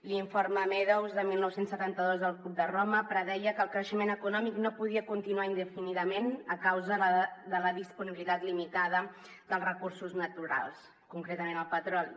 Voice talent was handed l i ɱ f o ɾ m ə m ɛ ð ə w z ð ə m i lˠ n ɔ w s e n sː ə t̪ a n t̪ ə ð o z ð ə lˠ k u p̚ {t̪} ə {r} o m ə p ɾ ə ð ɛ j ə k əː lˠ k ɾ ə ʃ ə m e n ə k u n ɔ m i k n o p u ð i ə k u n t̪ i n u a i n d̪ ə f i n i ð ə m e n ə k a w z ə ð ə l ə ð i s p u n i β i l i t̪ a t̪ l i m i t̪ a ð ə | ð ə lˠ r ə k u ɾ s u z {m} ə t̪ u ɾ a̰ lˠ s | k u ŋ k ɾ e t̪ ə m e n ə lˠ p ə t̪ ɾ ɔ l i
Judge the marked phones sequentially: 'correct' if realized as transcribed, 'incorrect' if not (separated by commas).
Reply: incorrect, correct, incorrect